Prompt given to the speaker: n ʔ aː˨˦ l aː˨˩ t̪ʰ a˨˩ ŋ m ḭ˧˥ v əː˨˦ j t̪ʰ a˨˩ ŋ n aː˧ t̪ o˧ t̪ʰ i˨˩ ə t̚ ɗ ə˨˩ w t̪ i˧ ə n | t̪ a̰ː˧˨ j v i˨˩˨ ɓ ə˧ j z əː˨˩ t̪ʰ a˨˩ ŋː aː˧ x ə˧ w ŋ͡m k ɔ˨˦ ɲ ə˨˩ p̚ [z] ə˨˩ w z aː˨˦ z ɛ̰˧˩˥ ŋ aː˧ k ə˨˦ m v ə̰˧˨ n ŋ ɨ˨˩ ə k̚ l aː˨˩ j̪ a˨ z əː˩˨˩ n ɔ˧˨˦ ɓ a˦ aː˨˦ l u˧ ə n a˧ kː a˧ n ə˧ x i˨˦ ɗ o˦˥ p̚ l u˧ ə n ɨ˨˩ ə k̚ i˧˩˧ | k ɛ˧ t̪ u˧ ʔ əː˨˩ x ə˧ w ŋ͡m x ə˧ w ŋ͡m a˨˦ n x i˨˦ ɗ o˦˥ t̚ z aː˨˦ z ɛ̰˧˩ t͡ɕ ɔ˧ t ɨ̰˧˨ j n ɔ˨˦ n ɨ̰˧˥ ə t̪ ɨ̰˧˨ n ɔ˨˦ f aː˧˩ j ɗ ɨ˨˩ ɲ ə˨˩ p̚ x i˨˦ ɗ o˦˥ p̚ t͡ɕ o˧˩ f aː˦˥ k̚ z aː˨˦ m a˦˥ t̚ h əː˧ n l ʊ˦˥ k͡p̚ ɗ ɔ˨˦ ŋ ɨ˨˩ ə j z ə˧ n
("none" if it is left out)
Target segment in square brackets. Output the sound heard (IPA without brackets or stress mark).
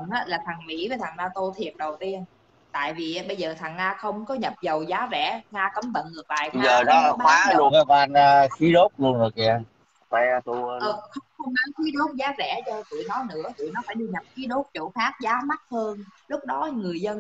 z